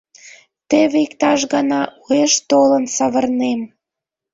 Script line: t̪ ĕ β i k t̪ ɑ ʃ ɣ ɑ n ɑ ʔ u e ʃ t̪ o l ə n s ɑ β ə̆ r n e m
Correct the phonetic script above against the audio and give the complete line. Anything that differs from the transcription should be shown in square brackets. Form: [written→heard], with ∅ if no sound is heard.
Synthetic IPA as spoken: t̪ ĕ β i k t̪ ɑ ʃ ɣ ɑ n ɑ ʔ u e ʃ t̪ o l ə n s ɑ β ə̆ r n e m